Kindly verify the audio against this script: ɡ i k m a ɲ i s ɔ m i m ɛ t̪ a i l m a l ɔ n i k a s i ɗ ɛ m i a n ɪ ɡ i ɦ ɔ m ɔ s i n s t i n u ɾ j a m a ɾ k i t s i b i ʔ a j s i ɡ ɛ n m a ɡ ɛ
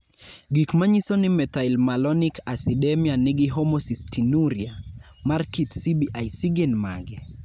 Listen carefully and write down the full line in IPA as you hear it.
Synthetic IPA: ɡ i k m a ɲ i s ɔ n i m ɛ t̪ a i l m a l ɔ n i k a s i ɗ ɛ m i a n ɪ ɡ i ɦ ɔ m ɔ s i s t i n u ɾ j a m a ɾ k i t s i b i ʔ a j s i ɡ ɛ n m a ɡ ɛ